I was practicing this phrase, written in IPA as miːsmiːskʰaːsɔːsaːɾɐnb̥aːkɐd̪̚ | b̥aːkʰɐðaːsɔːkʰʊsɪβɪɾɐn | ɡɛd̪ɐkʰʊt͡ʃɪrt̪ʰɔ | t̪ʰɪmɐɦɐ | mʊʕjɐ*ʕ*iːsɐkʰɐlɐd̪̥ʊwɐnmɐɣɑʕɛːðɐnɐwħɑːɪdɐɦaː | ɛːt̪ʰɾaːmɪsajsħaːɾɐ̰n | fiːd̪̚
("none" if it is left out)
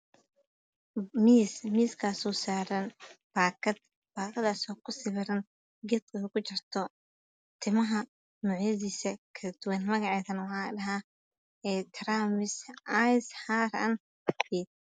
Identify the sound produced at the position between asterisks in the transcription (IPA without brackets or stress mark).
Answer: ð